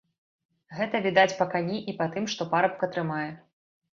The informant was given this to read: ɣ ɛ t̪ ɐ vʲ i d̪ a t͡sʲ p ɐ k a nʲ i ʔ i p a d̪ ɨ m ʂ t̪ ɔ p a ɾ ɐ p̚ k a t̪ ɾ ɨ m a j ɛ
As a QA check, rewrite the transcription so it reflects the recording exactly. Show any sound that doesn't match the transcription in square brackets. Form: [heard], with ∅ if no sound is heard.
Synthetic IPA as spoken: ɣ ɛ t̪ ɐ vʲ i d̪ a t͡sʲ p ɐ k a nʲ i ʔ i p a [t̪] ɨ m ʂ t̪ ɔ p a ɾ ɐ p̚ k [ɐ] t̪ ɾ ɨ m a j ɛ

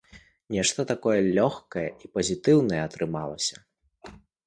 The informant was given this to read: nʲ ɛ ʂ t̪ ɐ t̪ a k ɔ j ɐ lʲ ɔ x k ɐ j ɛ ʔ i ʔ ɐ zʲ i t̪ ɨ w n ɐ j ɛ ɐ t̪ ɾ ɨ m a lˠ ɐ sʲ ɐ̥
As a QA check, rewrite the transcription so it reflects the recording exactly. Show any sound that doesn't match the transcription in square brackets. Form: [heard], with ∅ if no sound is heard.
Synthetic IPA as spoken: nʲ ɛ ʂ t̪ ɐ t̪ a k ɔ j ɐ lʲ ɔ x k ɐ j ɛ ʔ i [p] ɐ zʲ i t̪ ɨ w n ɐ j ɛ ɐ t̪ ɾ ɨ m a lˠ ɐ sʲ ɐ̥

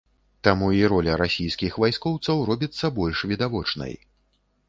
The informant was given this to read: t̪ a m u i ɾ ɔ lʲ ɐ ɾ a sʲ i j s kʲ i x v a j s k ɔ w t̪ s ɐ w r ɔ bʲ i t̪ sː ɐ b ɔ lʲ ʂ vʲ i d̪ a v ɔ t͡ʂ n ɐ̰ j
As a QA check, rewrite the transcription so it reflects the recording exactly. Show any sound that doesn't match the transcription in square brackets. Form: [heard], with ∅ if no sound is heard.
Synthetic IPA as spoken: t̪ a m u i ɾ ɔ lʲ ɐ ɾ a sʲ i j s kʲ i x v a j s k ɔ w t̪ s ɐ w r ɔ bʲ i t̪ sː ɐ b ɔ lʲ ʂ vʲ i d̪ a v ɔ t͡ʂ n ɐ̰ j

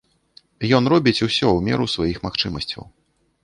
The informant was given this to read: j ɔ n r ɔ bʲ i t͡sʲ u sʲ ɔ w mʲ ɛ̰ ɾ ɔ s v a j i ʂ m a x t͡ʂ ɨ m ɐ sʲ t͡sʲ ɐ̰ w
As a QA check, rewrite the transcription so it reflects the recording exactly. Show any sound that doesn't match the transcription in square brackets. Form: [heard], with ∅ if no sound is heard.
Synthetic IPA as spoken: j ɔ n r ɔ bʲ i t͡sʲ u sʲ ɔ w mʲ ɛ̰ ɾ [u] s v a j i [x] m a x t͡ʂ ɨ m ɐ sʲ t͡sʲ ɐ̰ w

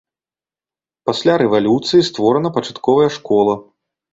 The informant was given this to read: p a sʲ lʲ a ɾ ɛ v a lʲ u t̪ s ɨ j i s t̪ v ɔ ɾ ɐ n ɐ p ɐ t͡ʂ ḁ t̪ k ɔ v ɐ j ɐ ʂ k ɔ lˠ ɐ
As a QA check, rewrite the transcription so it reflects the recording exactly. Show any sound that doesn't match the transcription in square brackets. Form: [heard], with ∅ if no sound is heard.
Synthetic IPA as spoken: p a sʲ lʲ a ɾ ɛ v a lʲ u t̪ s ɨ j i s t̪ v ɔ ɾ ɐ n ɐ p ɐ t͡ʂ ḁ t̪ k ɔ v ɐ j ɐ ʂ k ɔ lˠ ɐ

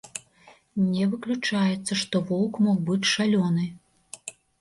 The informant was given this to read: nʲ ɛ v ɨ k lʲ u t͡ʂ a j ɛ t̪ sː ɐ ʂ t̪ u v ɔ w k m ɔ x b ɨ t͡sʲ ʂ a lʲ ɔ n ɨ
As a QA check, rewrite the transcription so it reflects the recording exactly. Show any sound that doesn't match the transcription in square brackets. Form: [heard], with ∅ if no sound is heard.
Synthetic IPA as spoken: nʲ ɛ v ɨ k lʲ u t͡ʂ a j ɛ t̪ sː ɐ ʂ t̪ [ɔ] v ɔ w k m ɔ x b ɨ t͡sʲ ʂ a lʲ ɔ n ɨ

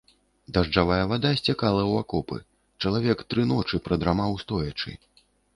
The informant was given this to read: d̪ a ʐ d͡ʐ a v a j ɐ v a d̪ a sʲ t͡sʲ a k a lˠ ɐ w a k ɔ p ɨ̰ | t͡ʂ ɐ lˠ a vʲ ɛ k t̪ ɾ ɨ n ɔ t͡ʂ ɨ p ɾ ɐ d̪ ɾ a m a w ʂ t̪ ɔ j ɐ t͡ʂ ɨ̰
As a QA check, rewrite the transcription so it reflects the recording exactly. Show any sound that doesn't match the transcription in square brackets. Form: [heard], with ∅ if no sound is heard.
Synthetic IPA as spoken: d̪ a ʐ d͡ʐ a v a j ɐ v a d̪ a sʲ t͡sʲ a k a lˠ ɐ w a k ɔ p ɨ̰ | t͡ʂ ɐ lˠ a vʲ ɛ k t̪ ɾ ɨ n ɔ t͡ʂ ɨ p ɾ ɐ d̪ ɾ a m a w [s] t̪ ɔ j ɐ t͡ʂ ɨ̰

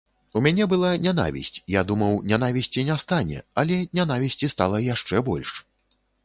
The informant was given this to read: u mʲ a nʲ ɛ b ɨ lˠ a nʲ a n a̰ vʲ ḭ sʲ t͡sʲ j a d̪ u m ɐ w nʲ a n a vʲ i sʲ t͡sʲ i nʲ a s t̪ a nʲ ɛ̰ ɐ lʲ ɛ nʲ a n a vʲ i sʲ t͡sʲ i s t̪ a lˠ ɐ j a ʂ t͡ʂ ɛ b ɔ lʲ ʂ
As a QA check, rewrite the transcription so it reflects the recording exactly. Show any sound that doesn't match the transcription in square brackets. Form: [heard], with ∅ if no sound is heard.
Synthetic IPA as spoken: u mʲ a nʲ ɛ b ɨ lˠ a nʲ a n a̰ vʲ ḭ sʲ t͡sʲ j a d̪ u m ɐ w nʲ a n a vʲ i sʲ t͡sʲ i nʲ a s t̪ a nʲ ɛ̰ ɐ lʲ ɛ nʲ a n a vʲ i sʲ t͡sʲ i s t̪ a lˠ ɐ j a ʂ t͡ʂ ɛ b ɔ lʲ ʂ

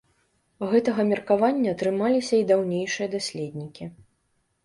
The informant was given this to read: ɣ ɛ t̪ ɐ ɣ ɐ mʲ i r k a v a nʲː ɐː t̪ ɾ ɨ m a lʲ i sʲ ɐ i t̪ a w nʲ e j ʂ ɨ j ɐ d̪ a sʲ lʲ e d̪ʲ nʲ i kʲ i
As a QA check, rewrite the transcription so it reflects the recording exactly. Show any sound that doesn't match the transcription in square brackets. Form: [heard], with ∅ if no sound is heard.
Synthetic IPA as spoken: ɣ ɛ t̪ ɐ ɣ ɐ mʲ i r k a v a nʲː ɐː t̪ ɾ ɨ m a lʲ i sʲ ɐ i [d̪] a w nʲ e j ʂ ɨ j ɐ d̪ a sʲ lʲ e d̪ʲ nʲ i kʲ i

